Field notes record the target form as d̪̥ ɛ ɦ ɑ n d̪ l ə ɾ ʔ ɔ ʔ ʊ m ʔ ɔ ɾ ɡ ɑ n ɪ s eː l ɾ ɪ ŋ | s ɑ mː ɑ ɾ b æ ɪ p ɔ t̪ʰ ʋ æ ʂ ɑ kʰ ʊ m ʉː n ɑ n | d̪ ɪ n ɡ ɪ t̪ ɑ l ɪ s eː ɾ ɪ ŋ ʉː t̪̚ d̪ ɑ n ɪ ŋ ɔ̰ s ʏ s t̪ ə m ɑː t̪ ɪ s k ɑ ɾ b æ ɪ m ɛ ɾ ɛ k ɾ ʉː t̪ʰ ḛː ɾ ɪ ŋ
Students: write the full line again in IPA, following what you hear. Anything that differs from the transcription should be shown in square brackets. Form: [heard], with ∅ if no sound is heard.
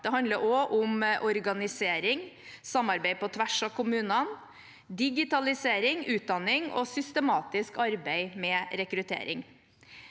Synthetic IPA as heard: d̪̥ ɛ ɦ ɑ n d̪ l ə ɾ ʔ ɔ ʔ ʊ m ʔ ɔ ɾ ɡ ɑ n ɪ s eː [∅] ɾ ɪ ŋ | s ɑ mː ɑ ɾ b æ ɪ p ɔ t̪ʰ ʋ æ ʂ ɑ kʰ ʊ m ʉː n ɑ n | d̪ ɪ [∅] ɡ ɪ t̪ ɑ l ɪ s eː ɾ ɪ ŋ ʉː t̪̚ d̪ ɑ n ɪ ŋ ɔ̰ s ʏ s t̪ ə m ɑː t̪ ɪ s k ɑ ɾ b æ ɪ m ɛ ɾ ɛ k ɾ [ʉ] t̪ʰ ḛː ɾ ɪ ŋ